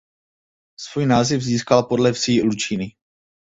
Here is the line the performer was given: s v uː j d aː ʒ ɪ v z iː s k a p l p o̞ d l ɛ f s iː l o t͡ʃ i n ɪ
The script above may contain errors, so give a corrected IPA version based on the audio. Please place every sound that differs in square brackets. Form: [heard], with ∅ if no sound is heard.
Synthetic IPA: s v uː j [n] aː [z] ɪ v z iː s k a [∅] l p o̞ d l ɛ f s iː l [u] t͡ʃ i n ɪ